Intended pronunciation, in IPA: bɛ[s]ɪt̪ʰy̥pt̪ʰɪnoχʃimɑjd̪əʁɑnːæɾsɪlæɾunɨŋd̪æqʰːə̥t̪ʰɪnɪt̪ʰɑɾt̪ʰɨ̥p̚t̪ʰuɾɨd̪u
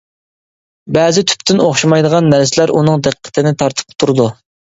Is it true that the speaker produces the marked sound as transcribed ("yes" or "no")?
no